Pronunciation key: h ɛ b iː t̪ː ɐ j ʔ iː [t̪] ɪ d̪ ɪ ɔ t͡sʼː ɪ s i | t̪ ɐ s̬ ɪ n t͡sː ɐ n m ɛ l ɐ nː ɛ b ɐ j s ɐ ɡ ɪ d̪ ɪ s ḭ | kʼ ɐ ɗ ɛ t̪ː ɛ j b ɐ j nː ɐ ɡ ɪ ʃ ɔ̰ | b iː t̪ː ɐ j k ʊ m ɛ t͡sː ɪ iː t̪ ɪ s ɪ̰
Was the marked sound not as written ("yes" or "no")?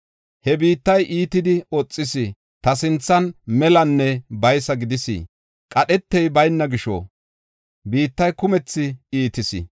no